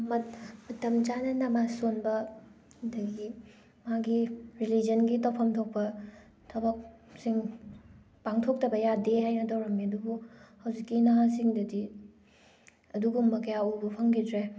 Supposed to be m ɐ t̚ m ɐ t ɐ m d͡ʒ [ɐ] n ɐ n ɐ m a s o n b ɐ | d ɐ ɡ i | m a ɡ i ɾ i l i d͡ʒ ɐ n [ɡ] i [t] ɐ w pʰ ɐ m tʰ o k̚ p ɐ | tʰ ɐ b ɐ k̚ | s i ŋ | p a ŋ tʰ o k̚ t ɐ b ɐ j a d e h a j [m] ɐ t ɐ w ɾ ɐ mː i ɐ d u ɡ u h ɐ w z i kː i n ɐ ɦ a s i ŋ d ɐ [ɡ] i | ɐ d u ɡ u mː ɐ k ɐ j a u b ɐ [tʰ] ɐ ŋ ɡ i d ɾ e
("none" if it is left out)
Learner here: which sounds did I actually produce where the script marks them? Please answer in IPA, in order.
a, ɡ, t, n, d, pʰ

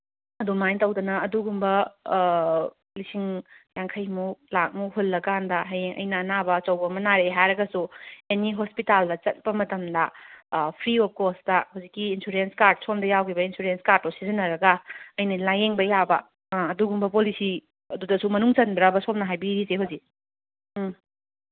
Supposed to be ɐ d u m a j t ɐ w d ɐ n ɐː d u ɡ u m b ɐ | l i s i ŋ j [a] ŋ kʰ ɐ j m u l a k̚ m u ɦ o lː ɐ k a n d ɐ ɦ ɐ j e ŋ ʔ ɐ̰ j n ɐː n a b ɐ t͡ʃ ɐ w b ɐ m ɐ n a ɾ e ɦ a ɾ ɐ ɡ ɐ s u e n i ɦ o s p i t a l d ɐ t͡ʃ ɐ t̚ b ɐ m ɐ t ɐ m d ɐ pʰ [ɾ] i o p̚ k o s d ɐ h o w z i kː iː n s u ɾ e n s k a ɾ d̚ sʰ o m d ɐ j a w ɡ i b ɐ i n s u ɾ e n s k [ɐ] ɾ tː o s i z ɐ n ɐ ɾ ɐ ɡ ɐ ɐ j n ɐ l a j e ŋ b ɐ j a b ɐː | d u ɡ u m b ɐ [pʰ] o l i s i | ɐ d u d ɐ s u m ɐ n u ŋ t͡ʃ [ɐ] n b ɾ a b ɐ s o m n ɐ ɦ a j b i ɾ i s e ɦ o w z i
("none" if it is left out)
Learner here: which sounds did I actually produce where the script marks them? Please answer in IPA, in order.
a, ɾ, a, p, ɐ

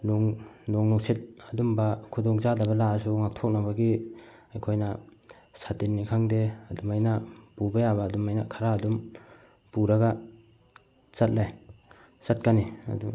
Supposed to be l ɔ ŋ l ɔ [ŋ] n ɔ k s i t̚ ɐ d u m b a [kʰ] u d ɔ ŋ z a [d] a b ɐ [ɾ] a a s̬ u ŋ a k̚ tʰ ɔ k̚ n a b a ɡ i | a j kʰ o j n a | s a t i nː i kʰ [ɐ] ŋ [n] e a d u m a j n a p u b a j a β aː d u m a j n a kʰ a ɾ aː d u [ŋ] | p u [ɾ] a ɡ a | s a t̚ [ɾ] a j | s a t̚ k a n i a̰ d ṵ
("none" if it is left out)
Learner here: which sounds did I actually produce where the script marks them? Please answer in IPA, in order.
ŋ, kʰ, d, l, a, d, m, ɾ, l

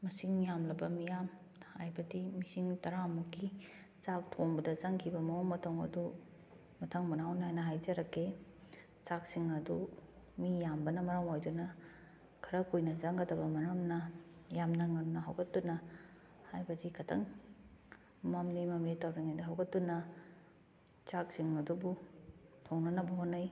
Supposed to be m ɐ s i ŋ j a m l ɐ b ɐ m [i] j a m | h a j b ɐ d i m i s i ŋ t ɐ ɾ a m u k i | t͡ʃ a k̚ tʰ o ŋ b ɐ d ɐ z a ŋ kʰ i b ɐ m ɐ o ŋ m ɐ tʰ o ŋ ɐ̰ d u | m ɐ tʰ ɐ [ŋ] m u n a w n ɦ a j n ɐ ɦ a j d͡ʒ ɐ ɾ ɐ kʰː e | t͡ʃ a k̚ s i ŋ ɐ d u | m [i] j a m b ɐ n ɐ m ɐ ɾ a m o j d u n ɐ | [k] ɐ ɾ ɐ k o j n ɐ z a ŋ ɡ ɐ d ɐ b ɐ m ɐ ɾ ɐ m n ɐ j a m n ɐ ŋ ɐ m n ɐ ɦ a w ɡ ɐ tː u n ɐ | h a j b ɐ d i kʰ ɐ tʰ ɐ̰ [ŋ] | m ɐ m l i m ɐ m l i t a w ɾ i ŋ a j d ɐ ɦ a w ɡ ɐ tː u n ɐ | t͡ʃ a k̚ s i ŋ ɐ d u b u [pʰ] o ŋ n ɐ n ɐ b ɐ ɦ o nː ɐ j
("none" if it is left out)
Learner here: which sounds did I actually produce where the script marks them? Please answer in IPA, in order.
i, ŋ, i, kʰ, ŋ, tʰ

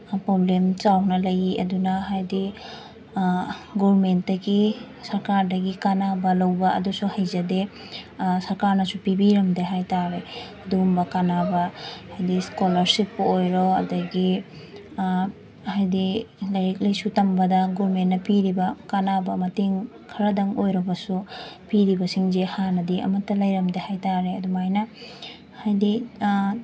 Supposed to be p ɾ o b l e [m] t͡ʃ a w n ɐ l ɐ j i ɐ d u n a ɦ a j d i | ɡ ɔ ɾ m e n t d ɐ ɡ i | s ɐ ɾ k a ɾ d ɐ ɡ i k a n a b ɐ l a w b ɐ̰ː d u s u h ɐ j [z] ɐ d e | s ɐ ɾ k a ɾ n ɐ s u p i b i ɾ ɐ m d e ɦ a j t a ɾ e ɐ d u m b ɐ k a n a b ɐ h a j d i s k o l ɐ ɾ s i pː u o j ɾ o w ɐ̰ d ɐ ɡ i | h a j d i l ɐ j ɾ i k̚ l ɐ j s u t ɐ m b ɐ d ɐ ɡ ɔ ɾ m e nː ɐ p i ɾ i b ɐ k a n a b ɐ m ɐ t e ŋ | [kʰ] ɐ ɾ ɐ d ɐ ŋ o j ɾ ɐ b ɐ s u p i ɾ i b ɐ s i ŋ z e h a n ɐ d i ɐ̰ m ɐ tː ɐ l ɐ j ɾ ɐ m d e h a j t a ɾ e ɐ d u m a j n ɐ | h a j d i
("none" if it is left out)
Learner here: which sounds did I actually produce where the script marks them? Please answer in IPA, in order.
m, z, kʰ

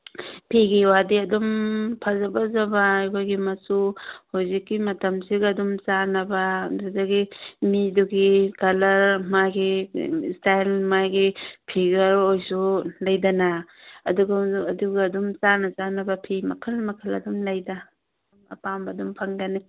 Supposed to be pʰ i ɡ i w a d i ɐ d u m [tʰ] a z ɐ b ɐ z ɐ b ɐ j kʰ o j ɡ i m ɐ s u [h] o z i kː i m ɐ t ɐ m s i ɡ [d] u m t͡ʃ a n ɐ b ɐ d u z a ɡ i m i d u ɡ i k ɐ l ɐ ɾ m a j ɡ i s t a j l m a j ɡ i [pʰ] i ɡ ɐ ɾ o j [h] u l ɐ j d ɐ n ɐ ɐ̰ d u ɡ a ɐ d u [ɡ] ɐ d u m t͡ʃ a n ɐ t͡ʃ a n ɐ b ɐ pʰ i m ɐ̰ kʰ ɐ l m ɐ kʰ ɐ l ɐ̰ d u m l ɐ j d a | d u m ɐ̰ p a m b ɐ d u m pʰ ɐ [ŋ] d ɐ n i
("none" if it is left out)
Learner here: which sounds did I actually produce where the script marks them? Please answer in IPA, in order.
pʰ, h, d, pʰ, s, ɡ, ŋ

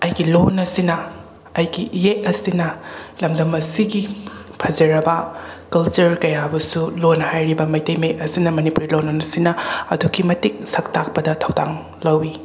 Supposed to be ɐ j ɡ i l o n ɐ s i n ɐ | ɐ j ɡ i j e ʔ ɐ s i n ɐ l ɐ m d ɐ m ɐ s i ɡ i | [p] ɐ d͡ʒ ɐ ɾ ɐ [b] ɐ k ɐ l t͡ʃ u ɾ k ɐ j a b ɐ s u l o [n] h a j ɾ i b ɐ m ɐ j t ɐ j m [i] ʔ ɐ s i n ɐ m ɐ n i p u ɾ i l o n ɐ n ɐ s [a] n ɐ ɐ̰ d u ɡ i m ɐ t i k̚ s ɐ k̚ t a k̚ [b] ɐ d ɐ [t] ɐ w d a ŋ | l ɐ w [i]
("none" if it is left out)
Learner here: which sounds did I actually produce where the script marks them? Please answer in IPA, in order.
pʰ, b, n, e, i, p, tʰ, i

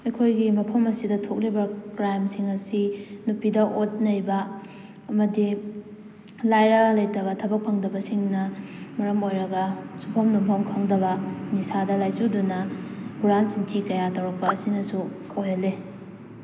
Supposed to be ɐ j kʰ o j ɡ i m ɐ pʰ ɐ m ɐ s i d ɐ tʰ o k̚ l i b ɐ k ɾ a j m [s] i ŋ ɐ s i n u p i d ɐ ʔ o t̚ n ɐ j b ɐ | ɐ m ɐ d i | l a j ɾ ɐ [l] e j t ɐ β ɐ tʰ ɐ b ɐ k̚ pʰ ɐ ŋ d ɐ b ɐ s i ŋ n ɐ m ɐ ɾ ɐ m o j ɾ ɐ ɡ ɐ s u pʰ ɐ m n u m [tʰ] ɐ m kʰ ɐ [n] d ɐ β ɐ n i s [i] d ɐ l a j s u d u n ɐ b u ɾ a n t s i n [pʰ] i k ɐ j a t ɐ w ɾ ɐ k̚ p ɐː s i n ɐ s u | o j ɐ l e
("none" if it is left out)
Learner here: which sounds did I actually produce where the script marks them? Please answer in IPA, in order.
s, l, pʰ, ŋ, a, tʰ

